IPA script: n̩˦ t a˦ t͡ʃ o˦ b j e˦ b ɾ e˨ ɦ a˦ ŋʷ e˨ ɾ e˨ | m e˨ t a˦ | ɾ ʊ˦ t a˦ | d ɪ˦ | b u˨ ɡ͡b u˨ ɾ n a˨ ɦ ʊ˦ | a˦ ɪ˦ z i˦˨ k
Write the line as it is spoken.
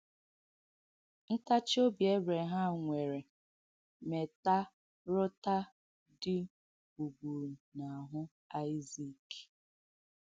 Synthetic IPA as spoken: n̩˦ t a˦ t͡ʃ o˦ b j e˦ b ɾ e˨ ɦ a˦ ŋʷ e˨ ɾ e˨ | m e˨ t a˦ | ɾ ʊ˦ t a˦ | d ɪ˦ | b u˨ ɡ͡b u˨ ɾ n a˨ ɦ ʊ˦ | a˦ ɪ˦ z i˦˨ k